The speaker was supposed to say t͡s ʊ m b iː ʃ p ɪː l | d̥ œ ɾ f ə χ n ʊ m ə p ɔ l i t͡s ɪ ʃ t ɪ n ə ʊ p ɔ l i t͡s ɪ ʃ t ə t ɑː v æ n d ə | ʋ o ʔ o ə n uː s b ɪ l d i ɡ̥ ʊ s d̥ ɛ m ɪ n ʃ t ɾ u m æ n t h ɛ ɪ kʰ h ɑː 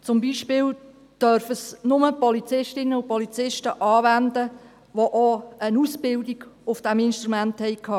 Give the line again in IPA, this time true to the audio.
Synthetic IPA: t͡s ʊ m b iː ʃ p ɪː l | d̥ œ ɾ f ə s n ʊ m ə p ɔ l i t͡s ɪ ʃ t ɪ n ə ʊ p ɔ l i t͡s ɪ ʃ t ə ʔ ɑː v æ n d ə | ʋ o ʔ o ə n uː s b ɪ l d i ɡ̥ ʊ f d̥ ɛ m ɪ n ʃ t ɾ u m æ n t h ɛ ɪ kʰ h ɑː

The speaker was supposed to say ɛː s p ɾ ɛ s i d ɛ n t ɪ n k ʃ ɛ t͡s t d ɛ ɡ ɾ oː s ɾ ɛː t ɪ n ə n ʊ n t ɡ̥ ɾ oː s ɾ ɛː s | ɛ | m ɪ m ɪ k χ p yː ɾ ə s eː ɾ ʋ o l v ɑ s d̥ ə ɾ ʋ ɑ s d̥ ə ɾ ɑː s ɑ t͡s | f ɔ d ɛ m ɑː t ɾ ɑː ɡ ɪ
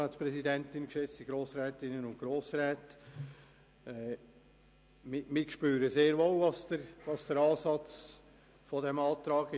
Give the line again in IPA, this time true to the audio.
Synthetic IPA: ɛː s p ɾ ɛ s i d ɛ n t ɪ n k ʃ ɛ t͡s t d i ɡ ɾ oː s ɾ ɛː t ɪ n ə n ʊ n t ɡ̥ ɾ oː s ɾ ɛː t | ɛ | m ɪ m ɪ k ʃ p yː ɾ ə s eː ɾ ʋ o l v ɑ s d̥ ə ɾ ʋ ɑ s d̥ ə ɾ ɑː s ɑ t͡s | f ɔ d ɛ m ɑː t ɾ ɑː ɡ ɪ

